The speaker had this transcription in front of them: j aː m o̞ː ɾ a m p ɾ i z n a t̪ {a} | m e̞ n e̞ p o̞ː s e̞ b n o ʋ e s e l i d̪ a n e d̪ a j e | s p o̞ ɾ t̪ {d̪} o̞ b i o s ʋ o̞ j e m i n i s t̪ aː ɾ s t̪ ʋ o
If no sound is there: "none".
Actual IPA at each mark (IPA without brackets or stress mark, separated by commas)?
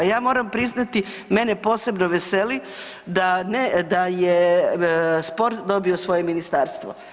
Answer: i, d̪